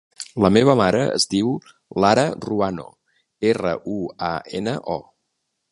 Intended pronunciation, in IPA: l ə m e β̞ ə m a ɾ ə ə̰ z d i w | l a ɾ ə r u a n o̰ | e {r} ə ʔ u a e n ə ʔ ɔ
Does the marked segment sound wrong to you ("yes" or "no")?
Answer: no